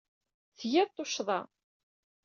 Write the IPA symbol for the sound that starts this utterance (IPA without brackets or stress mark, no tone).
θ